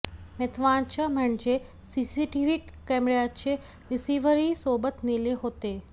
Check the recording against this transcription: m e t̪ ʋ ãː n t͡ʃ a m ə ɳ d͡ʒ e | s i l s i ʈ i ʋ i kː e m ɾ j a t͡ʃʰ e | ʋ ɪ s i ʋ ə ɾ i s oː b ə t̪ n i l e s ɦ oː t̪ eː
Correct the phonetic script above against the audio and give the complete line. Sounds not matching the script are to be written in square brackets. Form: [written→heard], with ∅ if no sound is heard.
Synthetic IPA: m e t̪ ʋ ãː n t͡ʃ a m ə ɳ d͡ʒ e | s i [l→∅] s i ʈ i ʋ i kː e m ɾ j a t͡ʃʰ e | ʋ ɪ s i ʋ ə ɾ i s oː b ə t̪ n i l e [s→∅] ɦ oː t̪ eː